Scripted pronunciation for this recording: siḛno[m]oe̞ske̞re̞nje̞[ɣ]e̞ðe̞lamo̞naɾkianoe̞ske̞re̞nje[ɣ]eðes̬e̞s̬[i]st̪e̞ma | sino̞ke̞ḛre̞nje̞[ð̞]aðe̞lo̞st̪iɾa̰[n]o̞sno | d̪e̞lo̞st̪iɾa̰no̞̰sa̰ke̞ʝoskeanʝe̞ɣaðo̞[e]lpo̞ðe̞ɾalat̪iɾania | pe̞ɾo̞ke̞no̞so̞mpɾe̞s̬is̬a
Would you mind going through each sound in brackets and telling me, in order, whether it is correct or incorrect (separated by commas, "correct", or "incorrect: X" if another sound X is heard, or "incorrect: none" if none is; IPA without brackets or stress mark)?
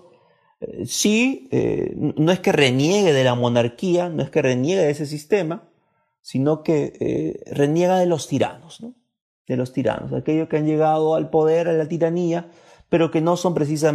incorrect: n, correct, correct, correct, incorrect: ɣ̞, correct, incorrect: a